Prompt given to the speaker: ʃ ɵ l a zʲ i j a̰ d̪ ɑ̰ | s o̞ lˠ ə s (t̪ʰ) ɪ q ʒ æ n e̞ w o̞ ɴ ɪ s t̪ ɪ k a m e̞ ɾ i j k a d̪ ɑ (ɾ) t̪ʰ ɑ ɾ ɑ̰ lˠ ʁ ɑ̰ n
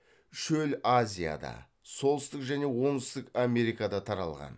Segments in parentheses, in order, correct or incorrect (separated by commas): incorrect, incorrect